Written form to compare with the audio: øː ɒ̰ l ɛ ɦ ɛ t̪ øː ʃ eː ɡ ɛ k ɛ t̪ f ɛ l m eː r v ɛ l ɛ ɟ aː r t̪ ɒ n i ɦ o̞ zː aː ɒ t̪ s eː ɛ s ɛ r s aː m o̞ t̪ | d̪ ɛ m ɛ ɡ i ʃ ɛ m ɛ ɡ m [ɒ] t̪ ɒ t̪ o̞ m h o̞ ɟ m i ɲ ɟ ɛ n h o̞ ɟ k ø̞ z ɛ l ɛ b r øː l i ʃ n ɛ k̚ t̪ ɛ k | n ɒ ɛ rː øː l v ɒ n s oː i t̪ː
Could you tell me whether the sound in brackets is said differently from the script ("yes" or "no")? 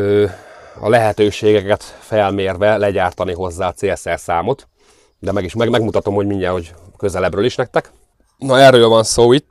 yes